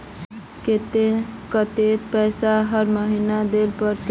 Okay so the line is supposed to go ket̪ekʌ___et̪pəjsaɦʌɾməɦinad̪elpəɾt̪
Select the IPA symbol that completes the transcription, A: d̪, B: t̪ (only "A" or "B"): B